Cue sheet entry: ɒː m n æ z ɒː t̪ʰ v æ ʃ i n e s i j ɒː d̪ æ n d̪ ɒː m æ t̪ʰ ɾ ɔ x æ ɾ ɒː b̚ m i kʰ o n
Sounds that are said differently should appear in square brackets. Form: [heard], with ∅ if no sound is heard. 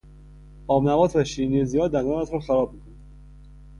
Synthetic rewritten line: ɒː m n æ [v] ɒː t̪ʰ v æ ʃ i n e [z] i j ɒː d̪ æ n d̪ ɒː [n] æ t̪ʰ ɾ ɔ x æ ɾ ɒː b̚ m i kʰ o n

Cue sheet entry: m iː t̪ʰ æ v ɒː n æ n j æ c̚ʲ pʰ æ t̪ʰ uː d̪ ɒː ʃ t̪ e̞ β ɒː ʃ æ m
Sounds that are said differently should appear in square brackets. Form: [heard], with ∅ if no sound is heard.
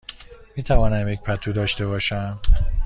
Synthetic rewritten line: m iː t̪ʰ æ v ɒː n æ [m] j [e] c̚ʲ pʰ æ t̪ʰ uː d̪ ɒː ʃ t̪ e̞ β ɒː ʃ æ m

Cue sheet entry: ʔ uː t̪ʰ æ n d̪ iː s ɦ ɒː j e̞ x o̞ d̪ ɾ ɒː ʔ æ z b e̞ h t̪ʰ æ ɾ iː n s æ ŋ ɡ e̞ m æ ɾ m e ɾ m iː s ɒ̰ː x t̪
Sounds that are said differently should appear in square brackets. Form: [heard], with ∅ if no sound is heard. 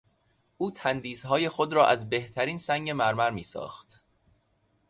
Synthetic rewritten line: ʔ uː t̪ʰ æ n d̪ iː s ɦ ɒː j e̞ x o̞ d̪ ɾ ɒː ʔ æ z b e̞ h t̪ʰ æ ɾ iː n s æ ŋ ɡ e̞ m æ ɾ m [æ] ɾ m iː s ɒ̰ː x t̪

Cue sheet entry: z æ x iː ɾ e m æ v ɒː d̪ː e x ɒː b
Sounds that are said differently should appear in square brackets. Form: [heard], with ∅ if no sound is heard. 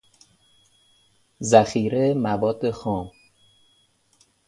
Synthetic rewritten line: z æ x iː ɾ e m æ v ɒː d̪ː e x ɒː [m]

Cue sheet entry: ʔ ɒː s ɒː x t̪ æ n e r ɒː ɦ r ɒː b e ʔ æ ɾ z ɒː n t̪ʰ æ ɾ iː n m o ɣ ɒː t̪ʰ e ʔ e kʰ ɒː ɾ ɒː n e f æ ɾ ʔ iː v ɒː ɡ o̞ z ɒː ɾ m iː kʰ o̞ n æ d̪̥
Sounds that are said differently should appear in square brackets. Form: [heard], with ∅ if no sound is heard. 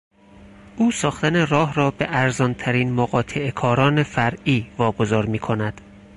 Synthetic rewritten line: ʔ [uː] s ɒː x t̪ æ n e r ɒː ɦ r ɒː b e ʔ æ ɾ z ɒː n t̪ʰ æ ɾ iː n m o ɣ ɒː t̪ʰ e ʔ e kʰ ɒː ɾ ɒː n e f æ ɾ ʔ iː v ɒː ɡ o̞ z ɒː ɾ m iː kʰ o̞ n æ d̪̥

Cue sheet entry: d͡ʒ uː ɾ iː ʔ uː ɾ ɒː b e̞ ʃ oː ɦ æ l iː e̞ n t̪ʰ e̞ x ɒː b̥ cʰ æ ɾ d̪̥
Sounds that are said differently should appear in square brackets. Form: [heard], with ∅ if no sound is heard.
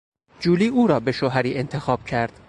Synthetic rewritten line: d͡ʒ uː [l] iː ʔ uː ɾ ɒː b e̞ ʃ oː ɦ æ [ɾ] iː e̞ n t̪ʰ e̞ x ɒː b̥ cʰ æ ɾ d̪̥

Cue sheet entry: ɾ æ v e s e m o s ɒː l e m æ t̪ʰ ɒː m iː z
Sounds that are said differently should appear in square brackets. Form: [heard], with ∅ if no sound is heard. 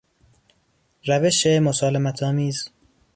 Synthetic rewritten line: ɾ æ v e [ʃ] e m o s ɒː l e m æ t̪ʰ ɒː m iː z

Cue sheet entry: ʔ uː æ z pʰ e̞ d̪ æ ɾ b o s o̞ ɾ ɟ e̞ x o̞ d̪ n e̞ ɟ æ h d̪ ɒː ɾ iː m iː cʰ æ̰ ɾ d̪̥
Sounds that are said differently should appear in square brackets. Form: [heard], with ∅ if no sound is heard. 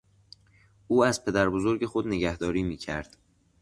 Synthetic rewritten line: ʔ uː æ z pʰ e̞ d̪ æ ɾ b o [z] o̞ ɾ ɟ e̞ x o̞ d̪ n e̞ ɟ æ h d̪ ɒː ɾ iː m iː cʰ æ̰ ɾ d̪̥

